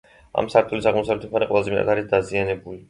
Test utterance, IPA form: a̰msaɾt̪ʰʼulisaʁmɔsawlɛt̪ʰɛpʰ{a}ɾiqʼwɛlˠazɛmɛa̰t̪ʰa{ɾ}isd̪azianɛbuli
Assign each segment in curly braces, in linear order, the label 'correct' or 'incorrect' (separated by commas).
correct, correct